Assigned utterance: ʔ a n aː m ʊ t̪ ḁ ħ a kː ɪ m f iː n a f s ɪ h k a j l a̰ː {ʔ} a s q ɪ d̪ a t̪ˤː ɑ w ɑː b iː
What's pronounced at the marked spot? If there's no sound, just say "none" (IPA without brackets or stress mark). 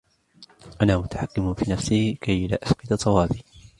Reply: ʔ